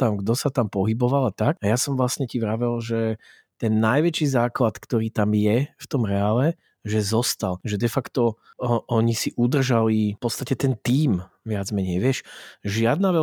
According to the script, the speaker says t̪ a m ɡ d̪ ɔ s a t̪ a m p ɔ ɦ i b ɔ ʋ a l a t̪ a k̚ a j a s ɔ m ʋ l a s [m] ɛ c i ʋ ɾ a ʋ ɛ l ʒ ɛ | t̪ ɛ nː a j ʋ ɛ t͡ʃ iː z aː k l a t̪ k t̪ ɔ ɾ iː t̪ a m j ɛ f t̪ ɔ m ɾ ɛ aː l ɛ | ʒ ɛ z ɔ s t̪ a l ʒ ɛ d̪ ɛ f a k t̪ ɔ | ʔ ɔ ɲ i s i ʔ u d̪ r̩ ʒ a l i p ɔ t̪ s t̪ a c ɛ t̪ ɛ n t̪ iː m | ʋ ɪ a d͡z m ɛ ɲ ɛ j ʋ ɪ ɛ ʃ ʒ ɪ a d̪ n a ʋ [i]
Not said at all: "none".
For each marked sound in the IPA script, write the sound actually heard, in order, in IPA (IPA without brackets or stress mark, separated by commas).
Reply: ɲ, ɛ